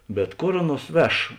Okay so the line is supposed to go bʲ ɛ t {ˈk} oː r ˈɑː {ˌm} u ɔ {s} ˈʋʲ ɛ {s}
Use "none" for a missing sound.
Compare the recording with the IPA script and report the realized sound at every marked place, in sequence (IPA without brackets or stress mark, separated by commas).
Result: k, n, s, ʃ